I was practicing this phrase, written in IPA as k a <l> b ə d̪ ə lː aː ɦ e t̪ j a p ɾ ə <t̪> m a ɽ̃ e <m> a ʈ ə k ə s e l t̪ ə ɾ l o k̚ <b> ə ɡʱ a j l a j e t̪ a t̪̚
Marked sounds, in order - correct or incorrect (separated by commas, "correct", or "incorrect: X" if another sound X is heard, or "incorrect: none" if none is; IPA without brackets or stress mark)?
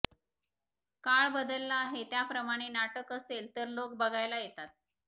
incorrect: ɭ, incorrect: none, incorrect: n, correct